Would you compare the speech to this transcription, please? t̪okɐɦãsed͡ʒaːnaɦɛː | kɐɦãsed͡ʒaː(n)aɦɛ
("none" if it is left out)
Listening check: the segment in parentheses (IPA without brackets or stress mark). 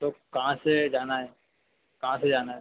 n